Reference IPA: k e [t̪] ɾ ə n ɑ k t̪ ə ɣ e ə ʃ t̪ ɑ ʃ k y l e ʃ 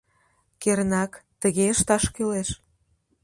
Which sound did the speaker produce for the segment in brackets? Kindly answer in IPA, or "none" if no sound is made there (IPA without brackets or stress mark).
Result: none